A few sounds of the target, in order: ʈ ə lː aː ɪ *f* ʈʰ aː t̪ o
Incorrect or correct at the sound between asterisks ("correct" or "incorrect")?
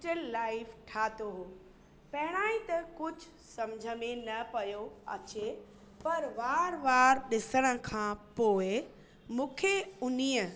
correct